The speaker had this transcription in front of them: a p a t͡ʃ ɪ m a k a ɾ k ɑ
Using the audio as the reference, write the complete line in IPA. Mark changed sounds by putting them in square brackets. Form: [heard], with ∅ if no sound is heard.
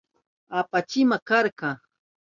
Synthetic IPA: a p a t͡ʃ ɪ m a k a ɾ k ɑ